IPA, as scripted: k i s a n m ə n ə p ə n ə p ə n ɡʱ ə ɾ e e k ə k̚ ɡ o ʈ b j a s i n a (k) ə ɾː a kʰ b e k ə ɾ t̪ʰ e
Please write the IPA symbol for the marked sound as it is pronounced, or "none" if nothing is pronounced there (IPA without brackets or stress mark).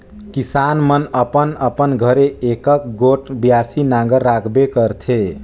ɡ